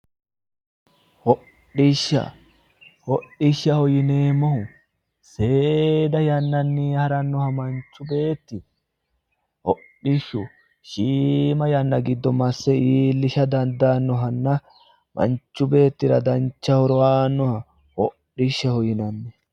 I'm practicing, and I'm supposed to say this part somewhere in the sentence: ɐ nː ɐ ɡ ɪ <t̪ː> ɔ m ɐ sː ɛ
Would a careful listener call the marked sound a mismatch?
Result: yes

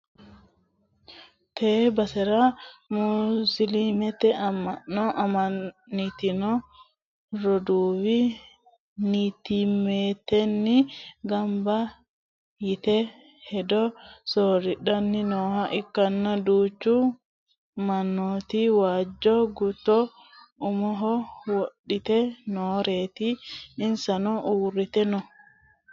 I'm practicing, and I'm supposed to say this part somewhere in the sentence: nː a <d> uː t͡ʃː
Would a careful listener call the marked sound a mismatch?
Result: no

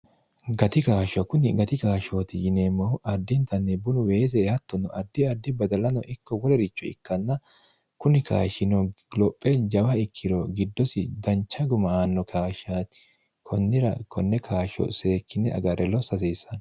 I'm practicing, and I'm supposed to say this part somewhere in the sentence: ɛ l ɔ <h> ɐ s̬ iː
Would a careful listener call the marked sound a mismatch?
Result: yes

